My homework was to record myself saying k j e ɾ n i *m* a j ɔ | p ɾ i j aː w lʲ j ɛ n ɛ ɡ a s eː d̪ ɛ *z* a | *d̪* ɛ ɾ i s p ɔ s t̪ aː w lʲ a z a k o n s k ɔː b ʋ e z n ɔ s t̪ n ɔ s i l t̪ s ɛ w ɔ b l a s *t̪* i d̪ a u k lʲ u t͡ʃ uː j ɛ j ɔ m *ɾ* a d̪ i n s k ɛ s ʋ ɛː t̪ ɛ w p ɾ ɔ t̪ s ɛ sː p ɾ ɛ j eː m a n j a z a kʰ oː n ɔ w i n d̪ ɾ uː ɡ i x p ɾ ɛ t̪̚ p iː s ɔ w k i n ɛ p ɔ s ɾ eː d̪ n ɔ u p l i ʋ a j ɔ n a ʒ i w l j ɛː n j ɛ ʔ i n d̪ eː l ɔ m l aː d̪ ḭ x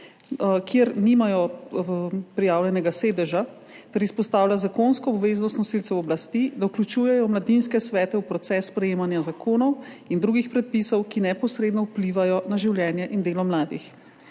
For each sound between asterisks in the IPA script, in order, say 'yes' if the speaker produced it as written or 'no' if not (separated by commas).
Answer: yes, no, no, yes, no